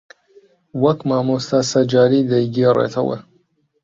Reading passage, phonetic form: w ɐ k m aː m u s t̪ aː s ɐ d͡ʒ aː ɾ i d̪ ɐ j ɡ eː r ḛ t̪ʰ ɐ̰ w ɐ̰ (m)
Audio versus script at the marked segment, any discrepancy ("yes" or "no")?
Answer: yes